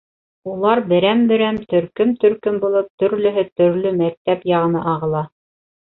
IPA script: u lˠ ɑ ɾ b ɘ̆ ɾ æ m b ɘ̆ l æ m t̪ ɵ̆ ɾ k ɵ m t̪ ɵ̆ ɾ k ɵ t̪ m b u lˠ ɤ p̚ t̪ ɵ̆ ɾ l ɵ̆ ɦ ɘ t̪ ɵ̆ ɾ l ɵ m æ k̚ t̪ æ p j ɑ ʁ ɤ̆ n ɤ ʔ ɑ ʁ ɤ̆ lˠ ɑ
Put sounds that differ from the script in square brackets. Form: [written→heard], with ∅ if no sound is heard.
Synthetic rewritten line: u lˠ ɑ ɾ b ɘ̆ ɾ æ m b ɘ̆ [l→ɾ] æ m t̪ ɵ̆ ɾ k ɵ m t̪ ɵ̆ ɾ k ɵ [t̪→∅] m b u lˠ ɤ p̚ t̪ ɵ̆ ɾ l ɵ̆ ɦ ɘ t̪ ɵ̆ ɾ l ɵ m æ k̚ t̪ æ p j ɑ ʁ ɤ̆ n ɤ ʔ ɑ ʁ ɤ̆ lˠ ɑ

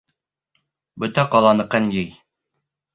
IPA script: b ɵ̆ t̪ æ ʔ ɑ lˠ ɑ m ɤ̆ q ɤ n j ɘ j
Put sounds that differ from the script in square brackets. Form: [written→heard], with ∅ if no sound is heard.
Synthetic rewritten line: b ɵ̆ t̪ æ [ʔ→q] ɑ lˠ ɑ [m→n] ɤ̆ q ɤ n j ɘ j

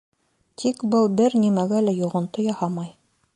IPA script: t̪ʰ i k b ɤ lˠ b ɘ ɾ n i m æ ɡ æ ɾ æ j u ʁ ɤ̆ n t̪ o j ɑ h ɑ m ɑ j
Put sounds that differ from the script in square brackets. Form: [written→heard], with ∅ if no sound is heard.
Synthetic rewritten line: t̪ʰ i k b ɤ lˠ b ɘ ɾ n i m æ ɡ æ [ɾ→l] æ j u ʁ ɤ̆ n t̪ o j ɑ h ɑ m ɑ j

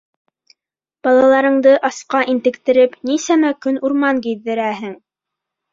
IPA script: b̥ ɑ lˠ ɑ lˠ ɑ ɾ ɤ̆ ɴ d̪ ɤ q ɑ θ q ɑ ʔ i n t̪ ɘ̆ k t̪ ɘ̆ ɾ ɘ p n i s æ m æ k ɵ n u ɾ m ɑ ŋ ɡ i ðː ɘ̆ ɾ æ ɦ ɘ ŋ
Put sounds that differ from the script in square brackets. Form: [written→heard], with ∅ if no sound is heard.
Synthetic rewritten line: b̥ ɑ lˠ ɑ lˠ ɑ ɾ ɤ̆ ɴ d̪ ɤ [q→ʔ] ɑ [θ→s] q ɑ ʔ i n t̪ ɘ̆ k t̪ ɘ̆ ɾ ɘ p n i s æ m æ k ɵ n u ɾ m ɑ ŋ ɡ i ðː ɘ̆ ɾ æ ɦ ɘ ŋ

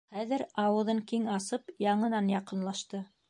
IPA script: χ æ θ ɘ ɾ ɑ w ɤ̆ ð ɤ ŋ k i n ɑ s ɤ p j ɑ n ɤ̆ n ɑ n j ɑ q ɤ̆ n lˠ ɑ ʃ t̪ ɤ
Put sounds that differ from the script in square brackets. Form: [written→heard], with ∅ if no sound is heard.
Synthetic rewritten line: χ æ [θ→ð] ɘ ɾ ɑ w ɤ̆ ð ɤ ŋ k i [n→ŋ] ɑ s ɤ p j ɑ [n→ɴ] ɤ̆ n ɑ n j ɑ q ɤ̆ n lˠ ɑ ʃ t̪ ɤ

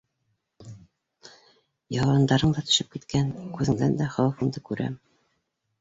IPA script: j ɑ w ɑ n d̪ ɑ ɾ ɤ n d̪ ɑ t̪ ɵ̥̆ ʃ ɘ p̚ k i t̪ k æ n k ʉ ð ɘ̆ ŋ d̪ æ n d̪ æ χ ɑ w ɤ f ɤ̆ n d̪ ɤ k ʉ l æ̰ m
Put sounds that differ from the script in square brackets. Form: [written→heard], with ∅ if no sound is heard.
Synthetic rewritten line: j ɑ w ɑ n d̪ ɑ ɾ ɤ [n→ɴ] d̪ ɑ t̪ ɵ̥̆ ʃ ɘ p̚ k i t̪ k æ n k ʉ ð ɘ̆ ŋ d̪ æ n d̪ æ χ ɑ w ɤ f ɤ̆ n d̪ ɤ k ʉ [l→ɾ] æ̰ m

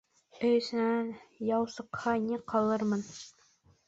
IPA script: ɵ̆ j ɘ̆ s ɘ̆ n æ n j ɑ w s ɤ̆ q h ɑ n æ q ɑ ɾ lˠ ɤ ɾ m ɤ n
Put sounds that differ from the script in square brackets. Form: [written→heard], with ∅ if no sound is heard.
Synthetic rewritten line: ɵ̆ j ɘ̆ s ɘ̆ n æ n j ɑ w s ɤ̆ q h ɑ n [æ→i] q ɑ [ɾ→∅] lˠ ɤ ɾ m ɤ n

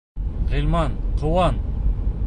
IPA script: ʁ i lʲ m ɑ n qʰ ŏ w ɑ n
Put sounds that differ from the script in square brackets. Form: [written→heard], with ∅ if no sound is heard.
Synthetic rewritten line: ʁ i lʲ m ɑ n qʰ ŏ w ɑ n

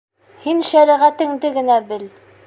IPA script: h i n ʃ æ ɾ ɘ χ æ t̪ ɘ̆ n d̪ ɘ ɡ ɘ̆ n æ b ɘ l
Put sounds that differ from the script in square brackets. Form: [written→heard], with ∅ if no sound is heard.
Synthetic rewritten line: h i n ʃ æ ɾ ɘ [χ→ʁ] æ t̪ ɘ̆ [n→ŋ] d̪ ɘ ɡ ɘ̆ n æ b ɘ l

